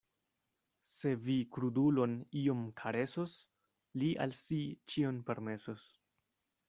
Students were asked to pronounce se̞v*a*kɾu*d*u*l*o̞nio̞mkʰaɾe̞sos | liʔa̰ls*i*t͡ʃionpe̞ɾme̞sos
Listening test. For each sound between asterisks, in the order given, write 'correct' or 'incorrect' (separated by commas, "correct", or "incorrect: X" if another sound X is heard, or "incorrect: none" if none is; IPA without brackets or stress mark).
incorrect: i, correct, correct, correct